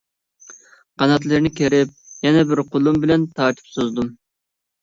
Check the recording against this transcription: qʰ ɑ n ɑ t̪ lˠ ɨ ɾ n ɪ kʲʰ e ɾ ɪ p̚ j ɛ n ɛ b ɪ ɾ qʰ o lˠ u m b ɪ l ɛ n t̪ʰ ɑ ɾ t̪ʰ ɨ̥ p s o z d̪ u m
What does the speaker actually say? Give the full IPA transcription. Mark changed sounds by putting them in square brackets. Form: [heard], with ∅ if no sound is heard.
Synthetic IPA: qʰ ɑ n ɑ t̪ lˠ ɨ ɾ n ɪ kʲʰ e ɾ ɪ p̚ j ɛ n ɛ b ɪ ɾ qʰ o lˠ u m b ɪ l ɛ n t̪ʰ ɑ ɾ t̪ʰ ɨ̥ p s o z d̪ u m